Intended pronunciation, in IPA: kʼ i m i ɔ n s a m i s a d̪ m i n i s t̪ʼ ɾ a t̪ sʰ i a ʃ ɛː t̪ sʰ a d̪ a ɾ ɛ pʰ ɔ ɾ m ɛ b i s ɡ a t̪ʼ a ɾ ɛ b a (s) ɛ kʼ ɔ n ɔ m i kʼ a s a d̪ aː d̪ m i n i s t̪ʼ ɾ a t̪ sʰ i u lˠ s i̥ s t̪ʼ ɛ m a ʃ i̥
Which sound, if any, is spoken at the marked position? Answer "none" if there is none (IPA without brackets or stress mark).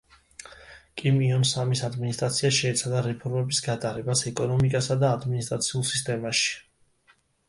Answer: s